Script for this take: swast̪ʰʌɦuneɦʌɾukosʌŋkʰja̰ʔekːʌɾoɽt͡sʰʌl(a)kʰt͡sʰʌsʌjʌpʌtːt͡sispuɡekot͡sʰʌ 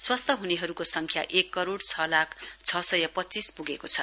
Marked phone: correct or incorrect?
correct